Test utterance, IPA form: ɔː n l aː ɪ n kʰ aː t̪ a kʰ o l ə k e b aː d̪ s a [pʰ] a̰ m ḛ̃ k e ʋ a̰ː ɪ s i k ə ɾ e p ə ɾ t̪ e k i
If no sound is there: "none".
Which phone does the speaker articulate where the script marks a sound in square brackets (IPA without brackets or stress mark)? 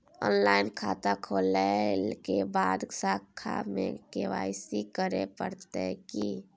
kʰ